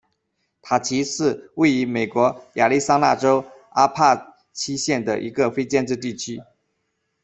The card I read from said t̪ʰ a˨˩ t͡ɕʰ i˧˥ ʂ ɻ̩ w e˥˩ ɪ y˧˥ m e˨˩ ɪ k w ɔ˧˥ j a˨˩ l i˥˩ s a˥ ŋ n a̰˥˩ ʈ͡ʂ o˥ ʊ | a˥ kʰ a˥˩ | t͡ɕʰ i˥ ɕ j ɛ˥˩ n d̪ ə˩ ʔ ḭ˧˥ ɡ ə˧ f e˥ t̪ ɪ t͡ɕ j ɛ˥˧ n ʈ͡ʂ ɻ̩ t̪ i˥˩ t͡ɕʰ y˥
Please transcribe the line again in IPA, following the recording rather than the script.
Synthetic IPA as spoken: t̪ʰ a˨˩ t͡ɕʰ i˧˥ ʂ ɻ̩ w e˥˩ ɪ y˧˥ m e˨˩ ɪ k w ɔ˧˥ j a˨˩ l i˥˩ s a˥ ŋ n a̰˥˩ ʈ͡ʂ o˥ ʊ | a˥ pʰ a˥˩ | t͡ɕʰ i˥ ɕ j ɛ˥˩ n d̪ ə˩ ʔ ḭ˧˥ ɡ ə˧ f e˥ ɪ t͡ɕ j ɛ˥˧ n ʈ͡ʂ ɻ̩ t̪ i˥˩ t͡ɕʰ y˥